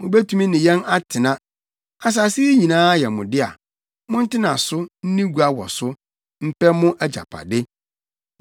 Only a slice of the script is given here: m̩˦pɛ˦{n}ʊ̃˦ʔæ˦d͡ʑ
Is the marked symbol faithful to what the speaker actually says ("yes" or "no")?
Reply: no